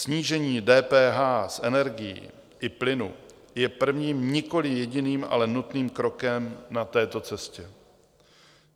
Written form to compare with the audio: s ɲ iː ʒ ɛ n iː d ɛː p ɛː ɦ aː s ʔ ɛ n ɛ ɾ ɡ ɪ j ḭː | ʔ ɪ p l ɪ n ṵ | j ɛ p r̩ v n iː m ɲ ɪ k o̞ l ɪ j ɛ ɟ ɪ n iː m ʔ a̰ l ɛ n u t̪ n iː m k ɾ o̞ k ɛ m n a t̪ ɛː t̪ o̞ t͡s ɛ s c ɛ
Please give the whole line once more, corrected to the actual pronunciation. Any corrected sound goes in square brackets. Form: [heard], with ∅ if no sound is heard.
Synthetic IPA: s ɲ iː ʒ ɛ [ɲ] iː d ɛː p ɛː ɦ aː s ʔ ɛ n ɛ ɾ ɡ ɪ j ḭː | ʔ ɪ p l ɪ n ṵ | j ɛ p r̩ v [ɲ] iː m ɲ ɪ k o̞ l ɪ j ɛ ɟ ɪ n iː m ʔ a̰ l ɛ n u t̪ n iː m k ɾ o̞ k ɛ m n a t̪ ɛː t̪ o̞ t͡s ɛ s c ɛ